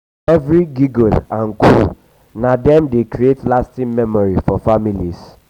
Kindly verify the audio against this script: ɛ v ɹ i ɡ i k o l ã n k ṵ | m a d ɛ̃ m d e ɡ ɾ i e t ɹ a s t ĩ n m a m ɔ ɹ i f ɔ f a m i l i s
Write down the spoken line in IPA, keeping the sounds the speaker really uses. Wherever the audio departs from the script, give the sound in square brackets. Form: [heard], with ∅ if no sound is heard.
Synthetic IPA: ɛ v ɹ i ɡ i [ɡ] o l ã n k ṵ | [n] a d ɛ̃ m d e [k] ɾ i e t [l] a s t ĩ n m [ɛ] m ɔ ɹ i f ɔ f a m i l i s